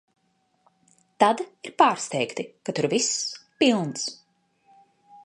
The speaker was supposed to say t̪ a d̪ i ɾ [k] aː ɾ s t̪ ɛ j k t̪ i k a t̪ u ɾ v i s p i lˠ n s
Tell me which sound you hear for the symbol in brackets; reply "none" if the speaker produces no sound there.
p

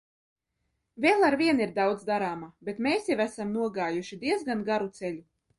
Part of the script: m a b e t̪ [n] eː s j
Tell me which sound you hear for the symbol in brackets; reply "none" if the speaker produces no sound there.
m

